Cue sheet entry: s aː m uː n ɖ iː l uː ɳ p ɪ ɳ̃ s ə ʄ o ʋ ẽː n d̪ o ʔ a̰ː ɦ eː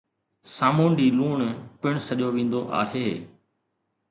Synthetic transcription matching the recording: s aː m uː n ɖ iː l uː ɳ p ɪ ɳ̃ s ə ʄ o ʋ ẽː n d̪ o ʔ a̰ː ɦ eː